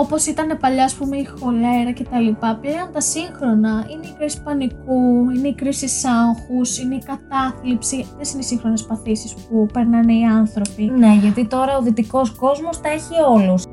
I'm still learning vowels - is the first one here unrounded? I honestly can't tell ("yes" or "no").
no